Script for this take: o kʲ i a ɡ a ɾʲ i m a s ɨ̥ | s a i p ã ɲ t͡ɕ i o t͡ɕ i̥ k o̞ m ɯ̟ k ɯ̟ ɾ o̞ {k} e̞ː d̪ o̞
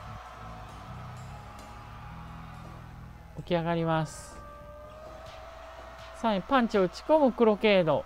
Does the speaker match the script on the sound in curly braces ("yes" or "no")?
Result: yes